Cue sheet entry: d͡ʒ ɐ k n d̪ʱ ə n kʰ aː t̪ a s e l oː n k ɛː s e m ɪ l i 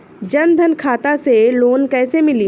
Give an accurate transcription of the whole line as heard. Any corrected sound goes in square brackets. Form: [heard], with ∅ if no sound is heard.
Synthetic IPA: d͡ʒ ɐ [∅] n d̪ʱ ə n kʰ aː t̪ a s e l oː n k ɛː s e m ɪ l i